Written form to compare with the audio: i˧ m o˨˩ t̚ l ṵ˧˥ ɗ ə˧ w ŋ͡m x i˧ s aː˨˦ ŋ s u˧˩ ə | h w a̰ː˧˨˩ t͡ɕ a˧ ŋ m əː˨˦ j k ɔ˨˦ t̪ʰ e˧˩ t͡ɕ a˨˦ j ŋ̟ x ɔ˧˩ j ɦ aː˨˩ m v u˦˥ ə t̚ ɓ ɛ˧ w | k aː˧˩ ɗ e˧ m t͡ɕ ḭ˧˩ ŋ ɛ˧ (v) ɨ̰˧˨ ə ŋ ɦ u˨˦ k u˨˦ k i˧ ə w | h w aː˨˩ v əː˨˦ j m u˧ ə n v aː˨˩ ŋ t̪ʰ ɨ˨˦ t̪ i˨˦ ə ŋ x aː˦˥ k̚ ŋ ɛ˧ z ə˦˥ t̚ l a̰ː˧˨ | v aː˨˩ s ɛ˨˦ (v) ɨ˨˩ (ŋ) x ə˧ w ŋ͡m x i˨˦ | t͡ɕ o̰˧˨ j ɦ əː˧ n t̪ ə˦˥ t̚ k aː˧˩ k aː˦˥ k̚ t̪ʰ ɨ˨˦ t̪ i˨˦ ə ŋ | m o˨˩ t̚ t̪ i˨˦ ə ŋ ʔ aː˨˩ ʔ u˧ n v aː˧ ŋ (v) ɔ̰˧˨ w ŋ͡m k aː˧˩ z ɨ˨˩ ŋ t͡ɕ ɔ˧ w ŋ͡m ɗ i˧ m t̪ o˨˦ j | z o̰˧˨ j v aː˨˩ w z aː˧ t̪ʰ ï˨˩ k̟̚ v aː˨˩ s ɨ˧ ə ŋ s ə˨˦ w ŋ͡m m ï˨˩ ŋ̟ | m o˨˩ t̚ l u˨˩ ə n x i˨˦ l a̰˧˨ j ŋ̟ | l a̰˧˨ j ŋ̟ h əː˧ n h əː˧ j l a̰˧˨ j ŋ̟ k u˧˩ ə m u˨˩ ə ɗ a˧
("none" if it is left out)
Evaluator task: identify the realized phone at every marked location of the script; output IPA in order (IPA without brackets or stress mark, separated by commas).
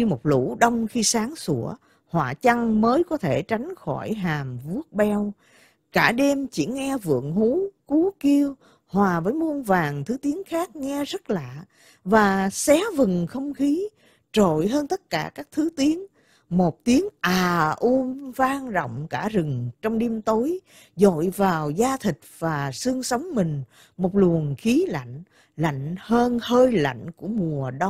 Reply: v, v, ŋ, z